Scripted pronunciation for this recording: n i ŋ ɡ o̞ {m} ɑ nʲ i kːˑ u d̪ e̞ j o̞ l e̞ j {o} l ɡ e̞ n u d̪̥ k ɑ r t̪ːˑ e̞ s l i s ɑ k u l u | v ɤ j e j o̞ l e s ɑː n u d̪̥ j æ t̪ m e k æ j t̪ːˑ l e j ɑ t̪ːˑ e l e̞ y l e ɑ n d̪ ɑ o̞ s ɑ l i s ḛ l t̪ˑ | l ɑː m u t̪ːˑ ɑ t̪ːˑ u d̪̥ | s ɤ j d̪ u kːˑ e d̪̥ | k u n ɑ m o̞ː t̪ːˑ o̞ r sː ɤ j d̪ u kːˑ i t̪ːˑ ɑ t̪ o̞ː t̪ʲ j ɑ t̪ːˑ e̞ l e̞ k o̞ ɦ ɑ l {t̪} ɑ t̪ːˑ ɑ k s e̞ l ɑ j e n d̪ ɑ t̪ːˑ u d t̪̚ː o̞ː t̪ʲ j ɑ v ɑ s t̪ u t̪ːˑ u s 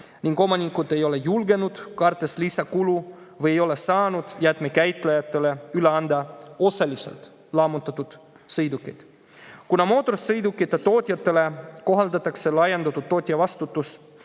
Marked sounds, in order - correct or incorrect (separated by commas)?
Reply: correct, incorrect, incorrect